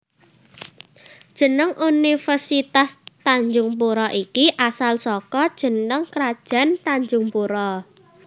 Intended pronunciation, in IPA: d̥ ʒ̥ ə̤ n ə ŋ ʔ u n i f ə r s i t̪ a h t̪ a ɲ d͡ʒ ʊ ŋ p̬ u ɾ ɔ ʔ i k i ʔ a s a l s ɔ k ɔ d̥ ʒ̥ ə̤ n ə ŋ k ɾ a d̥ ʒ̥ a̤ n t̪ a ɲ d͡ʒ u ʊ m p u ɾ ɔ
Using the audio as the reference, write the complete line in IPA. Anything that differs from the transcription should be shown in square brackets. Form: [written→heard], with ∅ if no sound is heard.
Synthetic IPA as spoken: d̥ ʒ̥ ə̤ n ə ŋ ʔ u n i f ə r s i t̪ a [h→s] t̪ a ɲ d͡ʒ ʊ ŋ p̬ u ɾ ɔ ʔ i k i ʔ a s a l s ɔ k ɔ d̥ ʒ̥ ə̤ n ə ŋ k ɾ a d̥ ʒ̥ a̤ n t̪ a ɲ d͡ʒ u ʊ [m→ŋ] p u ɾ ɔ